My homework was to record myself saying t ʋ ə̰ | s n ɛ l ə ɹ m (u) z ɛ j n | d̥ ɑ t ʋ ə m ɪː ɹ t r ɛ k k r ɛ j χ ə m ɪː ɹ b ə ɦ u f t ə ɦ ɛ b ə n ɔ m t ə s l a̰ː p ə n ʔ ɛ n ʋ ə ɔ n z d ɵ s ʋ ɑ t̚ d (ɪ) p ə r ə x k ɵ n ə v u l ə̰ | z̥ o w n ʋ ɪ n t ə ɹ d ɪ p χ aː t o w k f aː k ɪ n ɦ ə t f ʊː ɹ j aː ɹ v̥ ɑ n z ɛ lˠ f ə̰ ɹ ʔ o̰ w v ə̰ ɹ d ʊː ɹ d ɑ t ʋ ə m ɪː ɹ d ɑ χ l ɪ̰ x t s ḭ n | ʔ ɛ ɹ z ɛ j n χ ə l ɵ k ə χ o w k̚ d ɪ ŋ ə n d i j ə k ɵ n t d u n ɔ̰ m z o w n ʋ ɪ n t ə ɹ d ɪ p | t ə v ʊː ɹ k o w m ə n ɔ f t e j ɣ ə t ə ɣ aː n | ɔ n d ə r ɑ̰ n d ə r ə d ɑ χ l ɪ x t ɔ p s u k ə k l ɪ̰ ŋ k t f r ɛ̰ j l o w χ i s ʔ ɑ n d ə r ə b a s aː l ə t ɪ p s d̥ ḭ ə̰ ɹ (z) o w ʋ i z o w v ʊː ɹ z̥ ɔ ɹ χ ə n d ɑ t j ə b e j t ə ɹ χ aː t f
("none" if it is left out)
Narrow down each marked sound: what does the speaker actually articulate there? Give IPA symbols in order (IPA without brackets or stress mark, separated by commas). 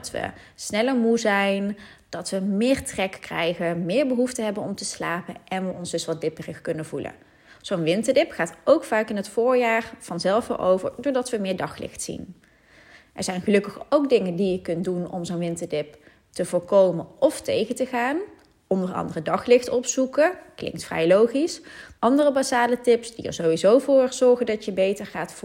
u, ɪ, z